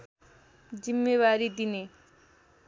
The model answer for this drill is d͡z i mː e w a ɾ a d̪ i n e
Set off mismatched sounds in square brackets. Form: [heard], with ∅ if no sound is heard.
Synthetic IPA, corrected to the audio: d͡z i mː e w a ɾ [i] d̪ i n e